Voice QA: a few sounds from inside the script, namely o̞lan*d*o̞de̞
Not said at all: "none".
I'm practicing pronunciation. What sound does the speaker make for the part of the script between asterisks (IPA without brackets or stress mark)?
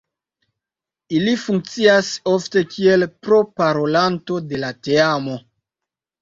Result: t